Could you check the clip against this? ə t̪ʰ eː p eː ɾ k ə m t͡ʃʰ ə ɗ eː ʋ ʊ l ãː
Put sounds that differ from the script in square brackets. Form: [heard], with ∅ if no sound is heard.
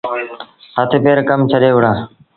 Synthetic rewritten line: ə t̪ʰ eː p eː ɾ k ə m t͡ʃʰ ə ɗ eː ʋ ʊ [ɽ] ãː